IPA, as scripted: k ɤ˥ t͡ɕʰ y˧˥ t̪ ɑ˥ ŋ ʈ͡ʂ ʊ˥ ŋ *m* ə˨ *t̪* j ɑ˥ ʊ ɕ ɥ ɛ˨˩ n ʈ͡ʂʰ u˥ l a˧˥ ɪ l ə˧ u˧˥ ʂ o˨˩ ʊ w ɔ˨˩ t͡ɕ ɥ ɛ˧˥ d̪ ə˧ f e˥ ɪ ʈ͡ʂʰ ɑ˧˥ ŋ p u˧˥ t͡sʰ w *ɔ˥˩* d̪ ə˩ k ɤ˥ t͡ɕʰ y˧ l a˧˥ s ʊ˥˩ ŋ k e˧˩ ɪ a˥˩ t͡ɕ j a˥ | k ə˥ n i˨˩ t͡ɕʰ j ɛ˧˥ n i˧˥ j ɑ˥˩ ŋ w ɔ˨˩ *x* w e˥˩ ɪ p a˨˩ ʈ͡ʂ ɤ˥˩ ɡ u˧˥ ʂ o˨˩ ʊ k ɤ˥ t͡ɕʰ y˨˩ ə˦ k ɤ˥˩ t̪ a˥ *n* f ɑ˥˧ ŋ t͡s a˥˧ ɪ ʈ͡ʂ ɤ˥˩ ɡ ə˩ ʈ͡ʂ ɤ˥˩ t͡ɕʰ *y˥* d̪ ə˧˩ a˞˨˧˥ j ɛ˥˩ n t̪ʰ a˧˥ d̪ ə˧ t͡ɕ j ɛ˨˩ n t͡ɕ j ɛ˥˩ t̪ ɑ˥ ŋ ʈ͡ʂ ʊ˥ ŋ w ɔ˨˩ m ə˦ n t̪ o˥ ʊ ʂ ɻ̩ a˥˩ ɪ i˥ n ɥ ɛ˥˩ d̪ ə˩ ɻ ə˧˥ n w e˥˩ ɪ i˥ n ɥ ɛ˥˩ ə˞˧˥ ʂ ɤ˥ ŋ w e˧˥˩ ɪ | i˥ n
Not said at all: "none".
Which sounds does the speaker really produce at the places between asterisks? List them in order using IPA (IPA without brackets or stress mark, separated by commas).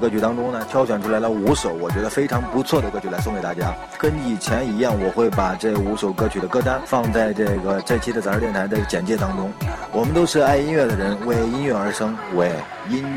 n, t̪ʰ, ɔ˥˩, x, n, i˥